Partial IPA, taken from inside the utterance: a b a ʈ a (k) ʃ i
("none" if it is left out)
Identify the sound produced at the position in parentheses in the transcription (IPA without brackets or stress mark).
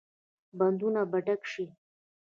k